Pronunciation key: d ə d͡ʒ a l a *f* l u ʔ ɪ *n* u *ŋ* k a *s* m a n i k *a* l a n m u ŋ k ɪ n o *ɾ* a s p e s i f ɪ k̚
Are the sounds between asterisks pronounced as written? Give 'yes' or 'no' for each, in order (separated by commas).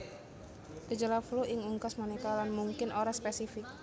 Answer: yes, no, yes, yes, yes, yes